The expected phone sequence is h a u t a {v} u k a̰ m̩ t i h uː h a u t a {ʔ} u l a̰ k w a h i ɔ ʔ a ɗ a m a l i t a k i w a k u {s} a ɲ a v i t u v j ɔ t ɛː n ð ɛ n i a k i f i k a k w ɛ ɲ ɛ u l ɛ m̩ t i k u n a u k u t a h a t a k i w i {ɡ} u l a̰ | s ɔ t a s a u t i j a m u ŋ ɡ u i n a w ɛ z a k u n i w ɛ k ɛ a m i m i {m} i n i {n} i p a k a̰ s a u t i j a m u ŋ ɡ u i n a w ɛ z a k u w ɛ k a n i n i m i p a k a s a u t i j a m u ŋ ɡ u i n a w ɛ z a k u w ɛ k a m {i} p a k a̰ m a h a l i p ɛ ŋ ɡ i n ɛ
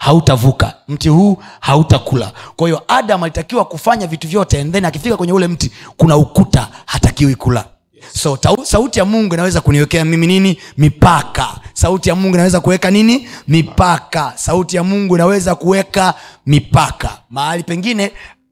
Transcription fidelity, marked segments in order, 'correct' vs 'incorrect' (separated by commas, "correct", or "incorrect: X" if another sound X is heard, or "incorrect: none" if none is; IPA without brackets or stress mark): correct, incorrect: k, incorrect: f, incorrect: k, incorrect: n, incorrect: m, correct